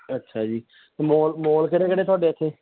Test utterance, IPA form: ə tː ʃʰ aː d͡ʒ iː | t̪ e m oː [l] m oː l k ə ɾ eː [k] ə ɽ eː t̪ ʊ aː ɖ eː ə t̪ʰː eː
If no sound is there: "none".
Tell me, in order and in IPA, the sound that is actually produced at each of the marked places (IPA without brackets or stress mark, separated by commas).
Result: l, k